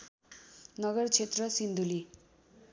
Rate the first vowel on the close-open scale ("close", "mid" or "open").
mid